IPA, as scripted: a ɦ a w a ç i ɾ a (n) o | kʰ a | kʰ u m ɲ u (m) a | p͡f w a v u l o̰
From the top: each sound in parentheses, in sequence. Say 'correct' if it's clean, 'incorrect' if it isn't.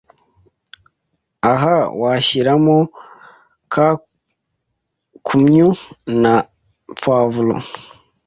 incorrect: m, incorrect: n

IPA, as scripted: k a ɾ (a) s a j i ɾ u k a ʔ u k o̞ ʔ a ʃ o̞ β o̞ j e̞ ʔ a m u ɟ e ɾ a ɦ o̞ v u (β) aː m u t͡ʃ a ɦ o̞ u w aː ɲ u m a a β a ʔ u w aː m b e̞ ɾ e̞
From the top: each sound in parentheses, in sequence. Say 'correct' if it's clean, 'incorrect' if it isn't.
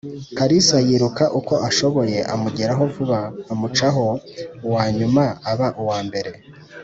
incorrect: i, correct

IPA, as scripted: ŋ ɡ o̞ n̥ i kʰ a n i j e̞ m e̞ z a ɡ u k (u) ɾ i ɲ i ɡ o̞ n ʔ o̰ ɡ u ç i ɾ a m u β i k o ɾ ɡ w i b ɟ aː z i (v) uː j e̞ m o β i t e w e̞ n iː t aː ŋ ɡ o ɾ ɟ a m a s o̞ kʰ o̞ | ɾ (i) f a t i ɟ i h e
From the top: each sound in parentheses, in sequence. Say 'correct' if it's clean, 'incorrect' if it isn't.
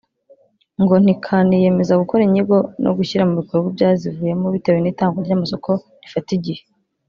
incorrect: o, correct, correct

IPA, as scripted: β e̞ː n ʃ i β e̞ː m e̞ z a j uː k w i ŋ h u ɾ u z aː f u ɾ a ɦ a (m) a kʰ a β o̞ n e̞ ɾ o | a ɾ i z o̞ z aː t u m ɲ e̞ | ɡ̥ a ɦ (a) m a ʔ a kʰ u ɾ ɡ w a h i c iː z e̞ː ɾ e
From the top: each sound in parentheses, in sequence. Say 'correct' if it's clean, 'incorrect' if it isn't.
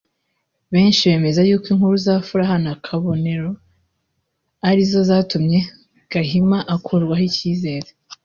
incorrect: n, incorrect: i

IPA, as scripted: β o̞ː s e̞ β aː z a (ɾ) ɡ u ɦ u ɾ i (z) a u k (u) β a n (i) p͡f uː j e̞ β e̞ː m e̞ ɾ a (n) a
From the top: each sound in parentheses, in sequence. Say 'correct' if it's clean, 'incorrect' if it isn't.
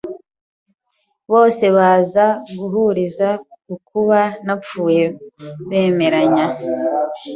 incorrect: none, correct, correct, incorrect: a, incorrect: ɲ

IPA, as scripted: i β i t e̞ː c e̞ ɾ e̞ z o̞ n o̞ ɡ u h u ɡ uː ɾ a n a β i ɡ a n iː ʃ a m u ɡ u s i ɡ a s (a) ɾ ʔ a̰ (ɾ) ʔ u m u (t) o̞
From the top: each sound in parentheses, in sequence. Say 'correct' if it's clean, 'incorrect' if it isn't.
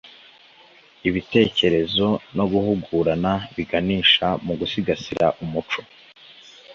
incorrect: i, incorrect: none, incorrect: t͡ʃ

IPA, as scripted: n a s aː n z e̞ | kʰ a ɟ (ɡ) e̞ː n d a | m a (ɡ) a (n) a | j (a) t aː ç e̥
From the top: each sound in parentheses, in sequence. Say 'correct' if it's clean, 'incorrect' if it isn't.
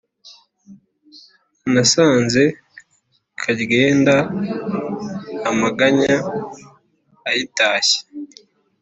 correct, correct, incorrect: ɲ, incorrect: i

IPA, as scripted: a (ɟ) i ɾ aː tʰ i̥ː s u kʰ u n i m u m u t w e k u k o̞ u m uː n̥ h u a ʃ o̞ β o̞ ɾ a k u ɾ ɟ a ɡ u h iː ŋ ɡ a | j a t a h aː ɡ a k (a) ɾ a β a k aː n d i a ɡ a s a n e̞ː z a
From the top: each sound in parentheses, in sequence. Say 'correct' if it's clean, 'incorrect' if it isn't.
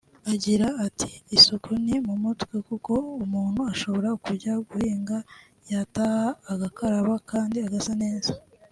correct, correct

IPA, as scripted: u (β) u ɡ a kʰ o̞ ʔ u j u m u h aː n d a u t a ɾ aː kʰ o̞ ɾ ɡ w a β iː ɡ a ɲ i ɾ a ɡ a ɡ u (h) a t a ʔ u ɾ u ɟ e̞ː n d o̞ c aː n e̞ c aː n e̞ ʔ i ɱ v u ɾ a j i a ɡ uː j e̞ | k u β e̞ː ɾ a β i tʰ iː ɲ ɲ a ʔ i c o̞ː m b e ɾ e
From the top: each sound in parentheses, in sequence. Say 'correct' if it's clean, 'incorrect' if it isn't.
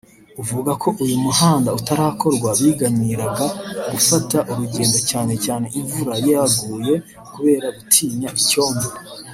incorrect: v, incorrect: f

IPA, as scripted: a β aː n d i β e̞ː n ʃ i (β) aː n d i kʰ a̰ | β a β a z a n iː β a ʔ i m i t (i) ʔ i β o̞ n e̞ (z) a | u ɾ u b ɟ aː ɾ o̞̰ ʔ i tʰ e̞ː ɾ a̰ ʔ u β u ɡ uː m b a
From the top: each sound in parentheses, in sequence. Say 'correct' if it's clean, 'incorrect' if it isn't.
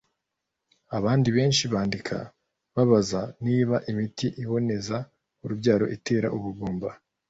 correct, correct, correct

